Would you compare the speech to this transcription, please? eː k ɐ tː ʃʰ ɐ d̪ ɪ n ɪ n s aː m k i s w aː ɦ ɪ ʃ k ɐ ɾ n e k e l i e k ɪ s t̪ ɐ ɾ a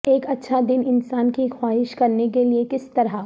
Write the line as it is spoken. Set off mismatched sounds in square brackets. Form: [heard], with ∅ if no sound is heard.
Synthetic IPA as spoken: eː k ɐ tː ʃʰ [a] d̪ ɪ n ɪ n s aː [n] k i [x] w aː ɦ ɪ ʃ k ɐ ɾ n e k e l i e k ɪ s t̪ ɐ ɾ a